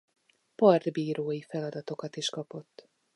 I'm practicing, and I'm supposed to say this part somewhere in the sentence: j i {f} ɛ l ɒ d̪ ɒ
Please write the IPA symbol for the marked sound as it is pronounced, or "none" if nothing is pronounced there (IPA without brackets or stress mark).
f